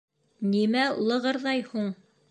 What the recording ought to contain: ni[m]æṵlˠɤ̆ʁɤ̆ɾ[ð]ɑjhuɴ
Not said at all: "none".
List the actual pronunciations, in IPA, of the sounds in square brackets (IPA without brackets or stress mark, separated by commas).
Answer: m, ð